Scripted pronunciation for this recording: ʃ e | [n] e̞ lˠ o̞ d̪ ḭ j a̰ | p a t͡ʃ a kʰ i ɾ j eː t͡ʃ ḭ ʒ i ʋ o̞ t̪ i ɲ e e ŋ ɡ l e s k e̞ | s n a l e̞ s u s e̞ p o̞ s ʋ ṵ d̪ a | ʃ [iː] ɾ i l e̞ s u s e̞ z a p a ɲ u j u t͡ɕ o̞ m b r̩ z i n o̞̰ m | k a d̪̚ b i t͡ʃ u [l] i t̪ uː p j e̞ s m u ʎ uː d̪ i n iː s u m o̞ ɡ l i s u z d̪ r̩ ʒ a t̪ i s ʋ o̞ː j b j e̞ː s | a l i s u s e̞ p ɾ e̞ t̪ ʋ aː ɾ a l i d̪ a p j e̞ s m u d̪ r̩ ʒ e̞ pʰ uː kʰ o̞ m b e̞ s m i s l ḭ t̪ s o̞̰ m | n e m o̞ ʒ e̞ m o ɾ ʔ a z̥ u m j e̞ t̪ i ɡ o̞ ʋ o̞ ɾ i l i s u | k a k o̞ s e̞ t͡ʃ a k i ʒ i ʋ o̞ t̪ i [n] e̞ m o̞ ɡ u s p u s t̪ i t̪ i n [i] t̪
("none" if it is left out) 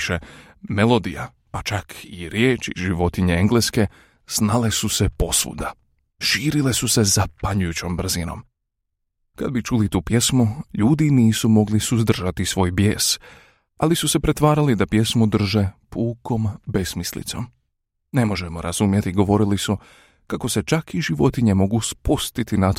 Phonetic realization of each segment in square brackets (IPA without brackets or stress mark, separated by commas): m, iː, l, ɲ, a